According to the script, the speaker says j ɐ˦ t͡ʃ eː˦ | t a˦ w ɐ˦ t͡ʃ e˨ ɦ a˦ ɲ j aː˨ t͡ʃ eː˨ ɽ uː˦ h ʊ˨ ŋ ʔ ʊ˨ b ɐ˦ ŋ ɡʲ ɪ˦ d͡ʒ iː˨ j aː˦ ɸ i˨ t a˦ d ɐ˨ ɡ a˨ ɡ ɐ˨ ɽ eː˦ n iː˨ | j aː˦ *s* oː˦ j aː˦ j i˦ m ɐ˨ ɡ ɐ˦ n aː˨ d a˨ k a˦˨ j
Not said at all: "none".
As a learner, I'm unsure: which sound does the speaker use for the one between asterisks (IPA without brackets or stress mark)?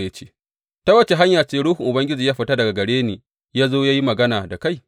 z